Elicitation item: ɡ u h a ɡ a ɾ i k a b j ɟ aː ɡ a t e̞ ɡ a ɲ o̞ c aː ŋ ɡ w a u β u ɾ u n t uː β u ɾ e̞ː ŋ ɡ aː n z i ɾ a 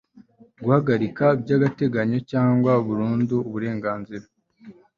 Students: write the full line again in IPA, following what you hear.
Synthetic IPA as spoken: ɡ u h a ɡ a ɾ i k a b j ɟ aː ɡ a t e̞ ɡ a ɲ o̞ c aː ŋ ɡ w a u β u ɾ uː n d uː β u ɾ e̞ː ŋ ɡ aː n z i ɾ a